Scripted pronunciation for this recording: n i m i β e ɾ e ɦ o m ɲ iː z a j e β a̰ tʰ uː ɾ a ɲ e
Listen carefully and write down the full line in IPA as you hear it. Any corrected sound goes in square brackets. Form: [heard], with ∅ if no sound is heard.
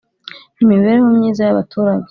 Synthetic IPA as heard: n i m i β e ɾ e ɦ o m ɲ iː z a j [a] β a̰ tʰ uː ɾ a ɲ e